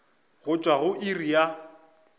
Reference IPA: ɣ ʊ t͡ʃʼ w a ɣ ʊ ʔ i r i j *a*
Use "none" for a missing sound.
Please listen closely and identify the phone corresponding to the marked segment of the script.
a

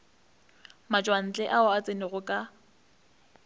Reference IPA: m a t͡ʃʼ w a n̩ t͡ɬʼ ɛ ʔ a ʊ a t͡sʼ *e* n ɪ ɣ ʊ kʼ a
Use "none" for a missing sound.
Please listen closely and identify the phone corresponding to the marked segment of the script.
e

